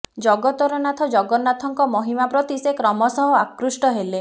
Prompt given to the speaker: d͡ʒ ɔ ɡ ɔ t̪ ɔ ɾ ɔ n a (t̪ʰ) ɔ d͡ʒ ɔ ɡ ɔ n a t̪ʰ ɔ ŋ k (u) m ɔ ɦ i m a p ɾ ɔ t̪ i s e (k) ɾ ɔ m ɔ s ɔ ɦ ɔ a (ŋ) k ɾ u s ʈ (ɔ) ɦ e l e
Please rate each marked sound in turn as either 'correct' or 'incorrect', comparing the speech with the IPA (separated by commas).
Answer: correct, incorrect, correct, incorrect, correct